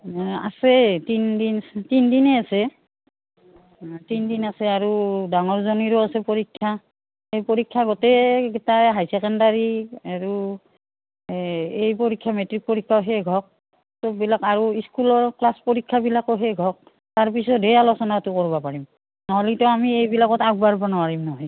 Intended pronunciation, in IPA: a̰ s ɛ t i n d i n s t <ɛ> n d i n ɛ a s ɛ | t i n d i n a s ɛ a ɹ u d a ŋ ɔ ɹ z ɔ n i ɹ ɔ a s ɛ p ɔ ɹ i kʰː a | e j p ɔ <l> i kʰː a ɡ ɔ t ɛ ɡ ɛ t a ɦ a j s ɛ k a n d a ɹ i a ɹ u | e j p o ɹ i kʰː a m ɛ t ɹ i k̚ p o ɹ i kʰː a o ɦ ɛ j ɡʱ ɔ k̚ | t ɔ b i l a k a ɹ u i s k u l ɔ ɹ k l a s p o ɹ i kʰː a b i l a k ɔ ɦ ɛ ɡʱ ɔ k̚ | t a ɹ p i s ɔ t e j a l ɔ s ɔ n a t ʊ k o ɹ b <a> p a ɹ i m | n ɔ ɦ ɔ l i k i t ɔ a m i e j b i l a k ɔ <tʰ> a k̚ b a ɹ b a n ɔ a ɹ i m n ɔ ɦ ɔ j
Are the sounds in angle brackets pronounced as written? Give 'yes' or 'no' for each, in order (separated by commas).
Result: no, no, yes, no